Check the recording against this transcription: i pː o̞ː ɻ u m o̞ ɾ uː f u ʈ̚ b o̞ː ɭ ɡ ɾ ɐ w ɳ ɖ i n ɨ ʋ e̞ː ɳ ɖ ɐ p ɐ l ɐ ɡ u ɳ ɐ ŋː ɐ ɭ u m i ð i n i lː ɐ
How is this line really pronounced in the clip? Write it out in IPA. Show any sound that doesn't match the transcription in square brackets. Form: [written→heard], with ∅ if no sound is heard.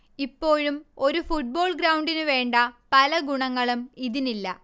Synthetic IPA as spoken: i pː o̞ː ɻ u m o̞ ɾ [uː→u] f u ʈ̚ b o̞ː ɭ ɡ ɾ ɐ w ɳ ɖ i n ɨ ʋ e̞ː ɳ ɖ ɐ p ɐ l ɐ ɡ u ɳ ɐ ŋː ɐ ɭ u m i ð i n i lː ɐ